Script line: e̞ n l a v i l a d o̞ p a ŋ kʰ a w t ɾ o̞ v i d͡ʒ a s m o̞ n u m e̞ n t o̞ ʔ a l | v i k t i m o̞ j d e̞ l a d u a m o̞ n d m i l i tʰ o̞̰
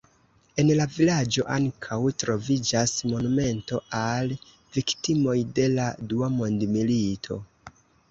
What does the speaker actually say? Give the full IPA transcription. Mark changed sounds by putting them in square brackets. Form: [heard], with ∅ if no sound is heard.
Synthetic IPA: e̞ n l a v i l a [d͡ʒ] o̞ [ʔ] a ŋ kʰ a w t ɾ o̞ v i d͡ʒ a s m o̞ n u m e̞ n t o̞ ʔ a l | v i k t i m o̞ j d e̞ l a d u a m o̞ n d m i l i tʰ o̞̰